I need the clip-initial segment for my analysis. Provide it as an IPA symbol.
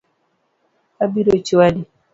a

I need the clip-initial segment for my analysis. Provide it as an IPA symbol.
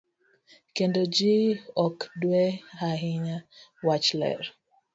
k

